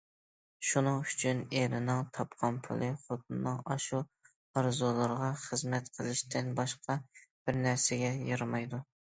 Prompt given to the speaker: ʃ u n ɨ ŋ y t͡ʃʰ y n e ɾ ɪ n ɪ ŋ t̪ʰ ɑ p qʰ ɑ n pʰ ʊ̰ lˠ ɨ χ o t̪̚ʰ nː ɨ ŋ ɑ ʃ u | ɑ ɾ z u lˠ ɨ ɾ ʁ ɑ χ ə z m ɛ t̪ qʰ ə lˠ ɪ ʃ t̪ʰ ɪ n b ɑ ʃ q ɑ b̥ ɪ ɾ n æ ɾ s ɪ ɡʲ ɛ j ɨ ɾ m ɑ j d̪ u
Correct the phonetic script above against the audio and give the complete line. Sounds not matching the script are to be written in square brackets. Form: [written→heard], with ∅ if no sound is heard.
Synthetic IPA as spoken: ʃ u n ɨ ŋ y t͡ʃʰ y n e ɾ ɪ n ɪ ŋ t̪ʰ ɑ p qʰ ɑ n pʰ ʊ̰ lˠ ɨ χ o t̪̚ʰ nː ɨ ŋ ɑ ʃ u | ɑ ɾ z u lˠ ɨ ɾ ʁ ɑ χ ə z m ɛ t̪ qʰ ə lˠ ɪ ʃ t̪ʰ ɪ n b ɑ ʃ q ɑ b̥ ɪ ɾ n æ ɾ s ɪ ɡʲ ɛ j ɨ ɾ m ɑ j d̪ u